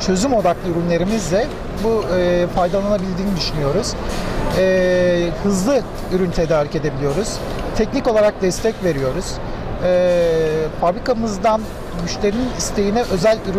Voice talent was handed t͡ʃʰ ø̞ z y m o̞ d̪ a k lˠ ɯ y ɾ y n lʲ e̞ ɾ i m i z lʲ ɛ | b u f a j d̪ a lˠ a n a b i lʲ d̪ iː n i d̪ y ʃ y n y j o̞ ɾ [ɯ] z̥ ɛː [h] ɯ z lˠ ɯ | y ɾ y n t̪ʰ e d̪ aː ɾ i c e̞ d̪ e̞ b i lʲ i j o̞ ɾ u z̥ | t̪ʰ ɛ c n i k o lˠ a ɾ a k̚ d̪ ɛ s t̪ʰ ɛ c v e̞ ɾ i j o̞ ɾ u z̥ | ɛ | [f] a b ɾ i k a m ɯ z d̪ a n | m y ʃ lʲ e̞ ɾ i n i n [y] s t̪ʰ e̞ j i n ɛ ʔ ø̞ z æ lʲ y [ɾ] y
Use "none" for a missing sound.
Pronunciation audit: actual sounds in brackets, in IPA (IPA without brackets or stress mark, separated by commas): u, h, f, i, ɾ